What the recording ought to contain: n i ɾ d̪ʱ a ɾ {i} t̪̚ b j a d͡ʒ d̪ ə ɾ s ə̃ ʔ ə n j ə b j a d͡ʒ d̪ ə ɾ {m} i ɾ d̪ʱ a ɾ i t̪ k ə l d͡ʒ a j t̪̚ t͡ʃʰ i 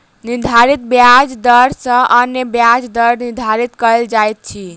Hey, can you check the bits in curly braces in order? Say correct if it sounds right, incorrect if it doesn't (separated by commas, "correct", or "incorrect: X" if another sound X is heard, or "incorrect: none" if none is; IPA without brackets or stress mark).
correct, incorrect: n